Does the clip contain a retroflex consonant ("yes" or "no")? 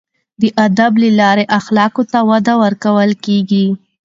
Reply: no